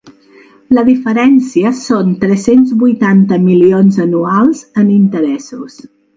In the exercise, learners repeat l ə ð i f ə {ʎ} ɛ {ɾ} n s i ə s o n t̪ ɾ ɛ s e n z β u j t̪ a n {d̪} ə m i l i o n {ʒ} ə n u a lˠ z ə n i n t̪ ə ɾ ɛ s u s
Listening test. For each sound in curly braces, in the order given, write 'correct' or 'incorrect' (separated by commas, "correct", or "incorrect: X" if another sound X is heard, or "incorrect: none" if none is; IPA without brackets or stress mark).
incorrect: ɾ, incorrect: none, incorrect: t̪, incorrect: z